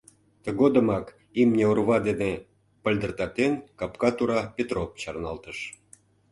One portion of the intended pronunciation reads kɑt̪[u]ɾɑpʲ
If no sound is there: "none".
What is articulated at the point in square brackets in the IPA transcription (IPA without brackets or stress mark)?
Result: u